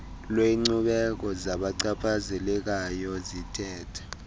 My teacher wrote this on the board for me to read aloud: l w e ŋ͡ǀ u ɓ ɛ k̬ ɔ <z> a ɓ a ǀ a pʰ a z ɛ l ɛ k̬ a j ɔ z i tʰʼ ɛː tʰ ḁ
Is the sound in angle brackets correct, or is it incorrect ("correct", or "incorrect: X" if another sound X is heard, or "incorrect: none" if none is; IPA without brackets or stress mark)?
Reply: correct